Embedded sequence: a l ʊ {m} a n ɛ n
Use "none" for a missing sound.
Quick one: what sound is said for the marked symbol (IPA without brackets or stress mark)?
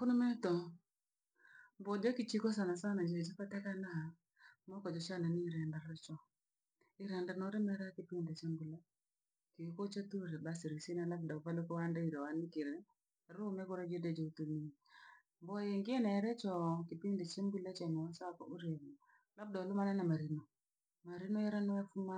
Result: m